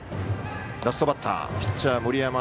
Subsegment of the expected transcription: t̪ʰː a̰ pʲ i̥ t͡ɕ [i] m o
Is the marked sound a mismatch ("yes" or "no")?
yes